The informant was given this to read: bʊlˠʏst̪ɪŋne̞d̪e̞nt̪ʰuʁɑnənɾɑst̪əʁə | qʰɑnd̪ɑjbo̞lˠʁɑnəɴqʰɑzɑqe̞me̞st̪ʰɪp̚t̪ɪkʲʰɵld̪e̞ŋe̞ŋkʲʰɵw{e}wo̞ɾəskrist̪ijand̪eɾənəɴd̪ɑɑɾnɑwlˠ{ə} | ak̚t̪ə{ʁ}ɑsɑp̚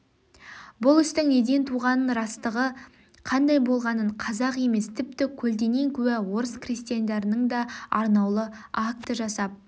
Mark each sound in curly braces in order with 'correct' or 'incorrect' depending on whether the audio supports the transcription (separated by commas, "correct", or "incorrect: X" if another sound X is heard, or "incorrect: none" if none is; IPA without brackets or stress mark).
incorrect: æ, correct, incorrect: ʒ